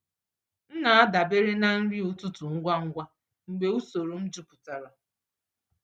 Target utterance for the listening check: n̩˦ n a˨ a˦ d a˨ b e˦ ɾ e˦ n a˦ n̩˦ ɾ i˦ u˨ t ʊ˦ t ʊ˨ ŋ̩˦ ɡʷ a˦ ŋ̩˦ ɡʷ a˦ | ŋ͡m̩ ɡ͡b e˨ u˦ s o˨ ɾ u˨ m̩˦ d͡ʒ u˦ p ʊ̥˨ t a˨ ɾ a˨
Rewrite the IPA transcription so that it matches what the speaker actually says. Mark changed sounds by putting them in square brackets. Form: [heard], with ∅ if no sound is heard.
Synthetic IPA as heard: n̩˦ n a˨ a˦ d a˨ b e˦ ɾ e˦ n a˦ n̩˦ ɾ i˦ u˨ t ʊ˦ t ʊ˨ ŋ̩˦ ɡʷ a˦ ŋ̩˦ ɡʷ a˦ | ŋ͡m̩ ɡ͡b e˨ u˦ s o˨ ɾ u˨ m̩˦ d͡ʒ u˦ p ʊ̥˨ t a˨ ɾ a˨

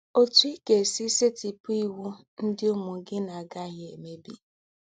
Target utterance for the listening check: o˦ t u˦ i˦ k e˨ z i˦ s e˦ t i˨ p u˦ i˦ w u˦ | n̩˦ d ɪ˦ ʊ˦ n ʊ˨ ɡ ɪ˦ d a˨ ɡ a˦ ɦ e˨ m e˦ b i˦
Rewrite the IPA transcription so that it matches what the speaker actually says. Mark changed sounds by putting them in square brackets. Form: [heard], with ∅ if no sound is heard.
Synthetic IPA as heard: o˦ t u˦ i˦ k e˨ [s] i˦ s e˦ t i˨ p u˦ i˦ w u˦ | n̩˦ d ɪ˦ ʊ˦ [m] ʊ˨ ɡ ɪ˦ [n] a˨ ɡ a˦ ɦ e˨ m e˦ b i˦

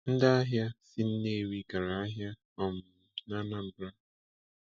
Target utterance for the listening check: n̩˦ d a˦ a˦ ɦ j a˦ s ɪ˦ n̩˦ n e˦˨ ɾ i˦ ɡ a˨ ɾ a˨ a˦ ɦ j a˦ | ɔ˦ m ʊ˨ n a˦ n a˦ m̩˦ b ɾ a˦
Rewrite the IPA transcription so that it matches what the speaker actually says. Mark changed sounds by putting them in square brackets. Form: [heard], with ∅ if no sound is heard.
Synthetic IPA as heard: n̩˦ d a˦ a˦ ɦ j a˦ s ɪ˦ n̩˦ n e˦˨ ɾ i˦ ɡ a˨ ɾ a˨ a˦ ɦ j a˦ | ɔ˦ m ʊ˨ n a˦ n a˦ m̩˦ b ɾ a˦

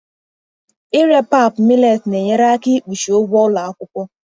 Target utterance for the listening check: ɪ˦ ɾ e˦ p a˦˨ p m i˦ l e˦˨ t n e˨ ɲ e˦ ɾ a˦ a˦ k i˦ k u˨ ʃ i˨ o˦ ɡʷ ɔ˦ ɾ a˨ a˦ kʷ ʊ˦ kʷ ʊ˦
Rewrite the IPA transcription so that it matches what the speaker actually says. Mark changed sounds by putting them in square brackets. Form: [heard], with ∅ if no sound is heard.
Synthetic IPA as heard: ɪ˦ ɾ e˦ p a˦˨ p m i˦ l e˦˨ t n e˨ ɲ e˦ ɾ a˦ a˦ k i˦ [k͡p] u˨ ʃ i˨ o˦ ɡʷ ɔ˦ [l] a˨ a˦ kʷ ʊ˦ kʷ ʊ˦

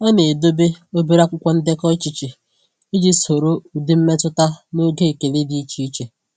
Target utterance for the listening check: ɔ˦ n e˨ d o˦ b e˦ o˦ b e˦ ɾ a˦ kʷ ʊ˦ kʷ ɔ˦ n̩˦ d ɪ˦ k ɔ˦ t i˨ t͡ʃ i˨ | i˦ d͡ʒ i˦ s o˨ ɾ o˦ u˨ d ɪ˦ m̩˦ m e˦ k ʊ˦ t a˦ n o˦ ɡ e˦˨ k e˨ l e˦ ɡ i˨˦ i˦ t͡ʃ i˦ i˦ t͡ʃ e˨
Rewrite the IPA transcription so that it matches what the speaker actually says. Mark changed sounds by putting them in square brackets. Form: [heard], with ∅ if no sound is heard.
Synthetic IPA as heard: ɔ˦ n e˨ d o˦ b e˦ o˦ b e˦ ɾ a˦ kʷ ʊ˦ kʷ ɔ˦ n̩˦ d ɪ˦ k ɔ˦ [t͡ʃ] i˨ t͡ʃ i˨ | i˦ d͡ʒ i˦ s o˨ ɾ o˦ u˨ d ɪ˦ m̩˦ m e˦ [t] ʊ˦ t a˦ n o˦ ɡ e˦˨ k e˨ l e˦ [d] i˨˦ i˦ t͡ʃ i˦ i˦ t͡ʃ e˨

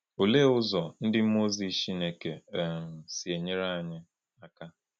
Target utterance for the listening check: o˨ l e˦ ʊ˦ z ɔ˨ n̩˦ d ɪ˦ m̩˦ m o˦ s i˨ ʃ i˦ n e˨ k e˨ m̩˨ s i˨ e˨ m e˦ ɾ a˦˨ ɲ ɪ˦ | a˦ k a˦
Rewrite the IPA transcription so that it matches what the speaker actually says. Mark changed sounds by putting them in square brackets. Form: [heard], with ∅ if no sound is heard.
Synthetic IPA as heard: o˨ l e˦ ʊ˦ z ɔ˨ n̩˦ d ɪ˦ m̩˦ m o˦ [z] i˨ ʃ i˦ n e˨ k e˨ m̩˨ s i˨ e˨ [ɲ] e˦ ɾ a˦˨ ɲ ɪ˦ | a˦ k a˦

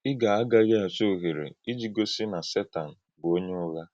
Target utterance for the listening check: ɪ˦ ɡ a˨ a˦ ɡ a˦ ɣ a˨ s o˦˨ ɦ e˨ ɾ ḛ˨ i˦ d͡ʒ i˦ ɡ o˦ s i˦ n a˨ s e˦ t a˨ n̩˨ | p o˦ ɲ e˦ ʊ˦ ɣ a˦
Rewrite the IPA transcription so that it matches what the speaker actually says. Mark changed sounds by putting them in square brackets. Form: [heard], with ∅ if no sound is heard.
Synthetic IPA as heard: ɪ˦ ɡ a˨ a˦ ɡ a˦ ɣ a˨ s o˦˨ ɦ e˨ ɾ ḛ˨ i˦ d͡ʒ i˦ ɡ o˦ s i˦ n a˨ s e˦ t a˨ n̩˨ | [b] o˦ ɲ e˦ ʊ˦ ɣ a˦

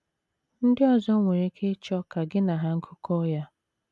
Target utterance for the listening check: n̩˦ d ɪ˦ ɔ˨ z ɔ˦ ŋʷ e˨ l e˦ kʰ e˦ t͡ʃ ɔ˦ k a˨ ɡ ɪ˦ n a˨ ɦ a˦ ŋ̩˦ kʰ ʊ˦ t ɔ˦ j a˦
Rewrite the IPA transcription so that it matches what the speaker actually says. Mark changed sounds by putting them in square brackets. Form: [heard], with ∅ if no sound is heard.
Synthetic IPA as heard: n̩˦ d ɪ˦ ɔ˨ z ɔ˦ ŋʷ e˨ [ɾ] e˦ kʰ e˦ t͡ʃ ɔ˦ k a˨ ɡ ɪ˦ n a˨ ɦ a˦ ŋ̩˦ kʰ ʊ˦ [k] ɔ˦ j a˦

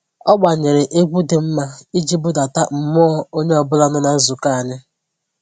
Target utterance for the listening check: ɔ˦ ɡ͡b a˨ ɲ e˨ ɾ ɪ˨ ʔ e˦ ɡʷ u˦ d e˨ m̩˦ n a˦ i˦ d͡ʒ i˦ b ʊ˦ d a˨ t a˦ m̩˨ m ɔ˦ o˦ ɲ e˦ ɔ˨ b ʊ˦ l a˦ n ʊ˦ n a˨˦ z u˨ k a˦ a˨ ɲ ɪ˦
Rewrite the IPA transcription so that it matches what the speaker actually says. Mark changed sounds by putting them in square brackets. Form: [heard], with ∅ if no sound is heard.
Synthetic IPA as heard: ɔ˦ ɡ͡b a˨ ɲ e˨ ɾ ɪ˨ ʔ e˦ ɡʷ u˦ d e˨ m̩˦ [m] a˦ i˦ d͡ʒ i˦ b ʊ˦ d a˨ t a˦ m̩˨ m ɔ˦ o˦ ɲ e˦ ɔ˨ b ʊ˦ l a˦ n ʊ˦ n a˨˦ z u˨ k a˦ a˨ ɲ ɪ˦

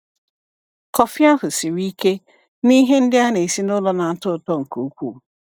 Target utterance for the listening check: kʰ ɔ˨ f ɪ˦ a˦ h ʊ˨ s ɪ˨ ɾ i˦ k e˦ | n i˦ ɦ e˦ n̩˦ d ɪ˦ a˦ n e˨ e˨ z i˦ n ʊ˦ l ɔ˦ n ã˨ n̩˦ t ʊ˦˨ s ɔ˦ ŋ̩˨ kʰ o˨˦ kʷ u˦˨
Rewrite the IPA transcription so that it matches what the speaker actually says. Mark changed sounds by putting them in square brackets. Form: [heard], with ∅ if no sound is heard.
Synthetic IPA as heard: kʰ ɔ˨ f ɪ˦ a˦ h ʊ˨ s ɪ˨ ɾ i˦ k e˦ | n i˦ ɦ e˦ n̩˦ d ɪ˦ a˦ n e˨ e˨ [s] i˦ n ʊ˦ l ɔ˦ n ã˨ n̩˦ t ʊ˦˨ [t] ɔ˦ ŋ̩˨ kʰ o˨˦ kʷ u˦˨

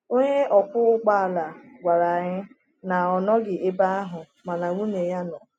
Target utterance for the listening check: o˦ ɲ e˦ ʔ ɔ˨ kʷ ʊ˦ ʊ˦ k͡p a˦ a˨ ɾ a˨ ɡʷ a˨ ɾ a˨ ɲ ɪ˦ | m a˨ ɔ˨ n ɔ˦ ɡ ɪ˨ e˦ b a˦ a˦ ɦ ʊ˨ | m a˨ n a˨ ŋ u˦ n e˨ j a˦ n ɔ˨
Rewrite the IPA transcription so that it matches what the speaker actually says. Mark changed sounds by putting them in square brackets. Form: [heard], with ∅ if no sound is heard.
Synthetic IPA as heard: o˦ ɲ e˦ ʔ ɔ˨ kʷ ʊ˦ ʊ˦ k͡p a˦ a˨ [l] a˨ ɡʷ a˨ ɾ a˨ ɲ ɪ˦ | [n] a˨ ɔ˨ n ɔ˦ ɡ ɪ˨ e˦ b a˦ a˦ ɦ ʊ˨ | m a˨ n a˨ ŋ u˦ n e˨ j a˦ n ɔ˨

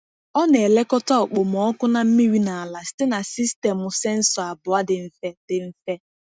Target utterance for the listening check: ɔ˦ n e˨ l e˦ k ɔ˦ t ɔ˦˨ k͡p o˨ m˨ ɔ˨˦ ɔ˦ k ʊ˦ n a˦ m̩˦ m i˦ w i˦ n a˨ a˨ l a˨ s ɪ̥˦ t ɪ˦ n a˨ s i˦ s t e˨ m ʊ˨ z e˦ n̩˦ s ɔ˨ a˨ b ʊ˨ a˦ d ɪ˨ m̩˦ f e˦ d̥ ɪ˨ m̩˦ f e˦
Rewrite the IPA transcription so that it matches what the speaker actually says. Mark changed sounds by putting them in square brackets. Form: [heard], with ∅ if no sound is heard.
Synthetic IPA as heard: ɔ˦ n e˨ l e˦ k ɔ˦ t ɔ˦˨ k͡p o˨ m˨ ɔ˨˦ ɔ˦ k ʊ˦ n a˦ m̩˦ m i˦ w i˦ n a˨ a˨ l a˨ s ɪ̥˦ t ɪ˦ n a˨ s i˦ s t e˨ m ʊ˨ [s] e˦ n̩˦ s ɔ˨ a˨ b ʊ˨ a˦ d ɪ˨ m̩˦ f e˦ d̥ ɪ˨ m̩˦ f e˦

